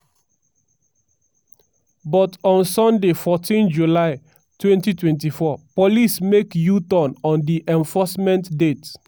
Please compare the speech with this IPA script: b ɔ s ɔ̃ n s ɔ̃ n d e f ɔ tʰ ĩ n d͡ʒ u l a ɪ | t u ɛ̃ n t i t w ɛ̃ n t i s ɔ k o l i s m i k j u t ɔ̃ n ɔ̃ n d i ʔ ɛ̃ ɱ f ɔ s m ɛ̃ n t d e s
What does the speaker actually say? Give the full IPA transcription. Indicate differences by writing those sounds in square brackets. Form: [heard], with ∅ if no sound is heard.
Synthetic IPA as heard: b ɔ [t] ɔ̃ n s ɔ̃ n d e f ɔ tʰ ĩ n d͡ʒ u l a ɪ | t [w] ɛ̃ n t i t w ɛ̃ n t i [f] ɔ [p] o l i s m [e] k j u t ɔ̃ n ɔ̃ n d i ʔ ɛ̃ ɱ f ɔ s m ɛ̃ n t d e [t]